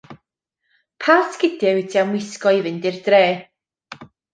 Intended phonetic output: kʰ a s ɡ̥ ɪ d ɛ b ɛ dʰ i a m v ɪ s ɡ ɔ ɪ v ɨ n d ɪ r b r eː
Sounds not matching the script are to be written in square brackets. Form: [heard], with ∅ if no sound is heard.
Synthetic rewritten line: [pʰ] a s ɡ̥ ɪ d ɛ [w] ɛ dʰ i a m [w] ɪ s [k] ɔ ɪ v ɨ n d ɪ r [d] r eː